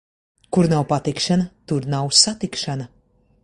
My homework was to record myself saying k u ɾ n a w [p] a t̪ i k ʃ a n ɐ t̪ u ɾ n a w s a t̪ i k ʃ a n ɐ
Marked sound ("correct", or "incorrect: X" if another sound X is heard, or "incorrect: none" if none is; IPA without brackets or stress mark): correct